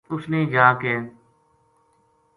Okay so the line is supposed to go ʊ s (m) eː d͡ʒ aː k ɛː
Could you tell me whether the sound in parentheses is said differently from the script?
yes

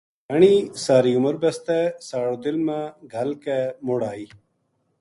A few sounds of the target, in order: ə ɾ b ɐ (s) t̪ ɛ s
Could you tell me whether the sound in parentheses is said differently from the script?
no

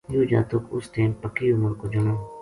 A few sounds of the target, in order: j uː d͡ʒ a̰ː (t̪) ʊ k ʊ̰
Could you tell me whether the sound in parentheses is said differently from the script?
no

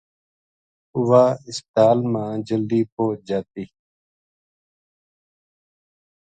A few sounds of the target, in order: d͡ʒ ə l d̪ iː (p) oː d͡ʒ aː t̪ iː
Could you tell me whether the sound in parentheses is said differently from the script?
no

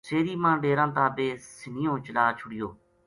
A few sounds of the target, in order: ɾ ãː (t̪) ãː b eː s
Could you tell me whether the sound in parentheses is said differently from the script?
no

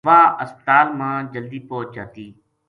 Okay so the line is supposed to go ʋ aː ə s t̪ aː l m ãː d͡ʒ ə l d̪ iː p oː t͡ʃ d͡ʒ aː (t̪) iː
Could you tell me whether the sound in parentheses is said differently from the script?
no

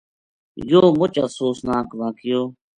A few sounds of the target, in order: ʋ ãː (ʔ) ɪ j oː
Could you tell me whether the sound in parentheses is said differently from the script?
yes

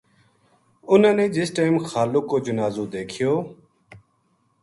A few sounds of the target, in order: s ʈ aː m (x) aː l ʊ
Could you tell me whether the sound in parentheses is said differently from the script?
no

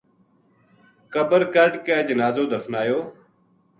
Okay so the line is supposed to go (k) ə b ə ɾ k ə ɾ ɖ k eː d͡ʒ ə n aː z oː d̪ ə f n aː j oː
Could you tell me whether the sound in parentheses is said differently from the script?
no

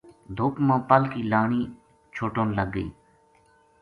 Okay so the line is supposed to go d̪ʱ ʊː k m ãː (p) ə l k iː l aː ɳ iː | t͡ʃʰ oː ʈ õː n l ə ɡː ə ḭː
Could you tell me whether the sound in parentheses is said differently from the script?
no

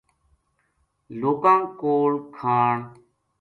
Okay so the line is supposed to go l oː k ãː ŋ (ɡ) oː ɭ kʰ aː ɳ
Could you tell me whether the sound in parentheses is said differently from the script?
yes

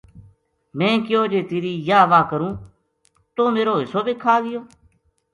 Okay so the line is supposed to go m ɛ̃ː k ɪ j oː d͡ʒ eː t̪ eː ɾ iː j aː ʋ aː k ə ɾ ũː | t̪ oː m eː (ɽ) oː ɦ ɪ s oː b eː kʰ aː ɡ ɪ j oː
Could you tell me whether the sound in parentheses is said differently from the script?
yes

